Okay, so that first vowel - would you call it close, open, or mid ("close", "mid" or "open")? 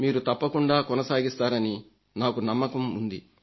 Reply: close